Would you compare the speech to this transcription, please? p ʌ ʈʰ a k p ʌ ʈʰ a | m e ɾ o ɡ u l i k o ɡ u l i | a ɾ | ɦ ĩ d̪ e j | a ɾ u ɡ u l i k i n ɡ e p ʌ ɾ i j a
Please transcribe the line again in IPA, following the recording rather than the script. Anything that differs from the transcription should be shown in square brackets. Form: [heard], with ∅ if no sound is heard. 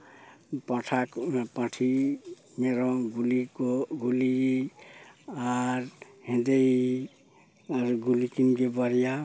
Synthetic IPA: p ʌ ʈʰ a k p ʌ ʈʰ [i] | m e ɾ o ɡ u l i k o ɡ u l i | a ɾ | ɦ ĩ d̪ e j | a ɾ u ɡ u l i k i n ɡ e [b] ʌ ɾ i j a